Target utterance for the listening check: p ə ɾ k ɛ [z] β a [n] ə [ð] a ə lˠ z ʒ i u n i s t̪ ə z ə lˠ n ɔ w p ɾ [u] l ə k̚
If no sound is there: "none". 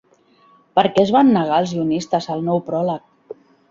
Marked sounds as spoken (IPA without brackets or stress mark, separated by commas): z, nː, ɣ, ɔ